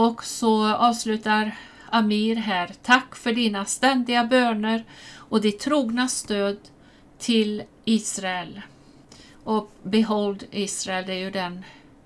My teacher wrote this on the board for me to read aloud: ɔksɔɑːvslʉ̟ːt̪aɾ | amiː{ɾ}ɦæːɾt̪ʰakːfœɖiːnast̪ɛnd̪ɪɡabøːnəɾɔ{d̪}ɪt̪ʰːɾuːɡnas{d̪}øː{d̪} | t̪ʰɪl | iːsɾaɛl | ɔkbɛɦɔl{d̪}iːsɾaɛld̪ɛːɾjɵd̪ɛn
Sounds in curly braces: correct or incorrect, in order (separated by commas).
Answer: correct, correct, incorrect, correct, correct